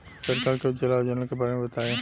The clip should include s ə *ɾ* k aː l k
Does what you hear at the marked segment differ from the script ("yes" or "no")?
no